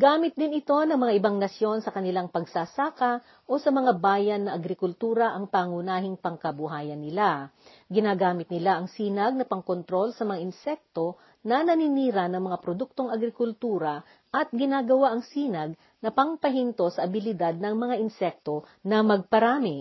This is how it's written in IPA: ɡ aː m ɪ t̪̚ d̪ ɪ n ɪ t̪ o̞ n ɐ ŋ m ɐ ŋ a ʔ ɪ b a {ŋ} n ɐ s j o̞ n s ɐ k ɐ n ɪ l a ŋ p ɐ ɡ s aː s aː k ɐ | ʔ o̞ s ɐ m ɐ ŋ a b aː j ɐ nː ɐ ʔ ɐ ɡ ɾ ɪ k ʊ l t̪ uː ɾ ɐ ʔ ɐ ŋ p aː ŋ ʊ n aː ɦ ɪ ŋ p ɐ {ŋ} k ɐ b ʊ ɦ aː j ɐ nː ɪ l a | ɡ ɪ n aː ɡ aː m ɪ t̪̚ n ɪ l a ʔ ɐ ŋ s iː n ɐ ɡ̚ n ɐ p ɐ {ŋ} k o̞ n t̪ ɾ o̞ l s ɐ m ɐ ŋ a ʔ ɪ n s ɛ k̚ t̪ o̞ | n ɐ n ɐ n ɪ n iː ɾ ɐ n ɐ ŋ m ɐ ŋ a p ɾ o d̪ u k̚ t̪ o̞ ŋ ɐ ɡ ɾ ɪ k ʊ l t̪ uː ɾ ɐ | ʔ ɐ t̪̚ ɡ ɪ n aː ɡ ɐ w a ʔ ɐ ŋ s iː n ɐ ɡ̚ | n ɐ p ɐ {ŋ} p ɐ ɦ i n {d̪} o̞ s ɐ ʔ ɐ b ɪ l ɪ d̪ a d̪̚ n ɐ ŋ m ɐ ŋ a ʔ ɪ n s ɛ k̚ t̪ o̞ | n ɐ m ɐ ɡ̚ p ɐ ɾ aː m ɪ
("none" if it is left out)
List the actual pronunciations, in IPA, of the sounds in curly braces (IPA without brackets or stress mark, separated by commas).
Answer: ŋ, ŋ, ŋ, ŋ, t̪